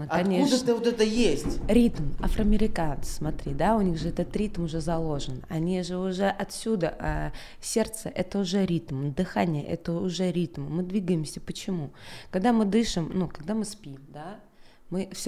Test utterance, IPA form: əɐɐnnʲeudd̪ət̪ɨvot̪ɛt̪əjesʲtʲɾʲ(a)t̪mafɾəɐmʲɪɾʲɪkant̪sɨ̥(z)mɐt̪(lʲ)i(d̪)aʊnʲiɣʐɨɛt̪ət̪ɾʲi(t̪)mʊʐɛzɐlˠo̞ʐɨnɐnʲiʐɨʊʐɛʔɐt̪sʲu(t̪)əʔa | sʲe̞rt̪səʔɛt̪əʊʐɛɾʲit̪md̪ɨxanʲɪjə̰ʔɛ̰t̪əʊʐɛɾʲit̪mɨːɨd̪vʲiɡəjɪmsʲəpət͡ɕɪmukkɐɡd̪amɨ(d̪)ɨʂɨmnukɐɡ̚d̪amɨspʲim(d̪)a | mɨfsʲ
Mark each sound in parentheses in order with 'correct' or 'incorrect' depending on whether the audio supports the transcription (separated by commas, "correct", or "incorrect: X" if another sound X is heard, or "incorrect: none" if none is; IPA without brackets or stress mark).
incorrect: i, incorrect: s, incorrect: ɾʲ, correct, correct, incorrect: d̪, correct, correct